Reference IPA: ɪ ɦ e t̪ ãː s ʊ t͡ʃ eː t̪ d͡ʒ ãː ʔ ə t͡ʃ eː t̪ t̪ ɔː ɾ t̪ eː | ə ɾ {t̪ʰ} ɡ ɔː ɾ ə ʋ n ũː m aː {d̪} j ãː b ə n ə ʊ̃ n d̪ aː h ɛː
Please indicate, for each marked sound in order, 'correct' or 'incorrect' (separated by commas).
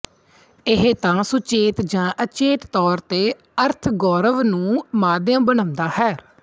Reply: correct, correct